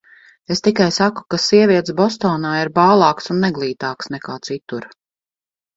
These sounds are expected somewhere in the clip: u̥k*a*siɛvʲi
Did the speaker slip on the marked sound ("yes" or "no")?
no